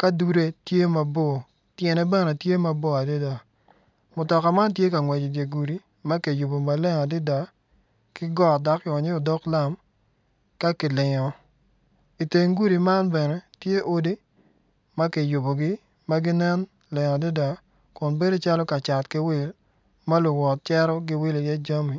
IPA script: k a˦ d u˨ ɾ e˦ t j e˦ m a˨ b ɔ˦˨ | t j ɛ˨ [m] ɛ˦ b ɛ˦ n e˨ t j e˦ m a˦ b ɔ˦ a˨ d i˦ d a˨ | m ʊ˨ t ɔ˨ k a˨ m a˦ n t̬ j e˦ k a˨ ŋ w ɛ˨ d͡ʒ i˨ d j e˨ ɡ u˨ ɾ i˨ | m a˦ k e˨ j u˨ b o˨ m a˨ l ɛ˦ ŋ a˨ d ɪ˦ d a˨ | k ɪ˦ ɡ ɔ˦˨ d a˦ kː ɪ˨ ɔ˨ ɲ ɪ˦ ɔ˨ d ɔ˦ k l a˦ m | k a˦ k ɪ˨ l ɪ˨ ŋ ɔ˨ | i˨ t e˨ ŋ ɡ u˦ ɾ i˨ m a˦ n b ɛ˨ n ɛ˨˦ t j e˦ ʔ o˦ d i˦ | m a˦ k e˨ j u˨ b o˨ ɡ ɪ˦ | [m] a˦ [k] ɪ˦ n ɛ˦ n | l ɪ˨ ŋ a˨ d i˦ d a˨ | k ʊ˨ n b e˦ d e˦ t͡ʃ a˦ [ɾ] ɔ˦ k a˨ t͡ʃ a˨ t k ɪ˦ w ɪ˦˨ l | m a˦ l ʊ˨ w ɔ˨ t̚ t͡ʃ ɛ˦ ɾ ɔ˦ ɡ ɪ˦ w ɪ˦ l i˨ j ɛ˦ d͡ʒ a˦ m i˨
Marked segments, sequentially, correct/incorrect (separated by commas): incorrect, correct, incorrect, incorrect